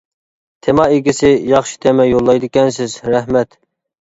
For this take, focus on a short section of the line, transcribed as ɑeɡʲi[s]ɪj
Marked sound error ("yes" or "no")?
no